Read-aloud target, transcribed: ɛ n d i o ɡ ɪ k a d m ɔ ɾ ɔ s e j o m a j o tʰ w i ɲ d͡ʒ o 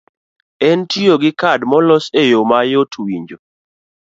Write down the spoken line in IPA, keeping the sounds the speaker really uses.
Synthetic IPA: ɛ n t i o ɡ ɪ k a d m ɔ l ɔ s e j o m a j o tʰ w i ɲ d͡ʒ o